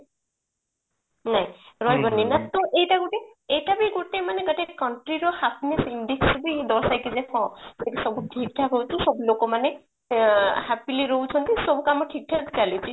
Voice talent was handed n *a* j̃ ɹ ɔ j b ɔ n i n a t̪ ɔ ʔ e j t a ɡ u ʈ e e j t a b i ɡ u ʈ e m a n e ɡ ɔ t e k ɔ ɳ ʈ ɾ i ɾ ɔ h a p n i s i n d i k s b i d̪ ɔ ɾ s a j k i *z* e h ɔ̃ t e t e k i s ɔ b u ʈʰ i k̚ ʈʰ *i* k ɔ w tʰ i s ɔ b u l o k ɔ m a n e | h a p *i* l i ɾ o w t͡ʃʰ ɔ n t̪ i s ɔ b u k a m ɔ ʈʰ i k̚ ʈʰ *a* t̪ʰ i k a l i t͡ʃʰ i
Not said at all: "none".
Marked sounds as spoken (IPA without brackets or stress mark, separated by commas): a, z, a, i, a